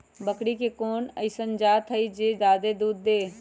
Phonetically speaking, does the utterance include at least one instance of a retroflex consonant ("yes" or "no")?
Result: yes